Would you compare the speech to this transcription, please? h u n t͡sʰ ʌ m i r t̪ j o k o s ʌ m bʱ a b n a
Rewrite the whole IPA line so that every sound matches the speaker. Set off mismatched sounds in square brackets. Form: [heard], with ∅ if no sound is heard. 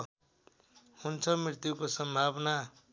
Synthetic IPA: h u n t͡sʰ ʌ m i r t̪ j [u] k o s ʌ m bʱ a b n a